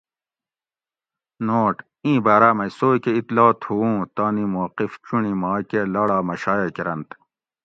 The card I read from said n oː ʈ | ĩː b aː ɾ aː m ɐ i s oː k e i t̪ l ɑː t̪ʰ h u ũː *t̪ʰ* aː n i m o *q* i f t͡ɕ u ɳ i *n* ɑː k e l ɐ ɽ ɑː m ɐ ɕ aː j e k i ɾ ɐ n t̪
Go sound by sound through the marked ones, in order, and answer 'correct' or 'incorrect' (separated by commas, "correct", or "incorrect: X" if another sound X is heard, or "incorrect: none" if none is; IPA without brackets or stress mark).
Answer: incorrect: t̪, correct, incorrect: m